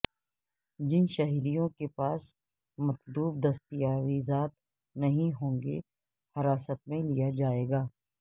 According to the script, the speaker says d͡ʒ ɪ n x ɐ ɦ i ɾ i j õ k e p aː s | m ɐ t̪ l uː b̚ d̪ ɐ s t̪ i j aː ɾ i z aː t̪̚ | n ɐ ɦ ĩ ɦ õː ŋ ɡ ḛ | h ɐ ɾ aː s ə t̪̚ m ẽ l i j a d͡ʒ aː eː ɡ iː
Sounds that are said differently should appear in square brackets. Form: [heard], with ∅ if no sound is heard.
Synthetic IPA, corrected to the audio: d͡ʒ ɪ n [ʃ] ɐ ɦ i ɾ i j õ k e p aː s | m ɐ t̪ l uː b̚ d̪ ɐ s t̪ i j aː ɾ i z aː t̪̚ | n ɐ ɦ ĩ ɦ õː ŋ ɡ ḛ | h ɐ ɾ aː s ə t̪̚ m ẽ l i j a d͡ʒ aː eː ɡ [aː]